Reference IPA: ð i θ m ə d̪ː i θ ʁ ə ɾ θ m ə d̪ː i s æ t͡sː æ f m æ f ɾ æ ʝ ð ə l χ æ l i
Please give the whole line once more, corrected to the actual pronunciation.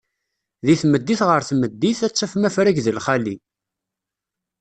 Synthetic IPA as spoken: ð i θ m ə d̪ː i θ ʁ ə ɾ θ m ə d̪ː i θ æ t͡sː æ f m æ f ɾ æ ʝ ð ə l χ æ l i